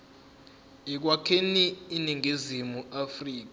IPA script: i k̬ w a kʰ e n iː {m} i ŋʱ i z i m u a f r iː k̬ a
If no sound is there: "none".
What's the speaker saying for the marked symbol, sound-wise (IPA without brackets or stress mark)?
n